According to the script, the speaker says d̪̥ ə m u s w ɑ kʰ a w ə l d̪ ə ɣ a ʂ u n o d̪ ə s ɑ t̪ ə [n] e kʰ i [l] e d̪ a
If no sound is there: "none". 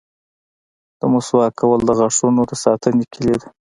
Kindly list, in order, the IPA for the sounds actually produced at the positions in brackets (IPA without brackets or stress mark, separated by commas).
n, l